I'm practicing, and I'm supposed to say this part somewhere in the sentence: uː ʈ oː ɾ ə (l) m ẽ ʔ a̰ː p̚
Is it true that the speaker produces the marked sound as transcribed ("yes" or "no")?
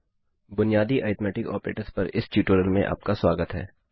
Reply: yes